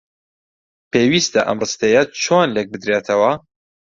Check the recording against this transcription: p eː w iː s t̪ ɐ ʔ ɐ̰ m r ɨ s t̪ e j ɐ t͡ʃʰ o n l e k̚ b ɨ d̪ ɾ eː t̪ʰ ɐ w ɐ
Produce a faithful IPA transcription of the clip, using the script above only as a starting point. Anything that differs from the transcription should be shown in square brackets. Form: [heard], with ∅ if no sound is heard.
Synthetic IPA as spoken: p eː w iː s t̪ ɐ ʔ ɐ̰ m r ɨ s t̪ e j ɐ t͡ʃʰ o n l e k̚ b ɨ d̪ ɾ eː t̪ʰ ɐ w ɐ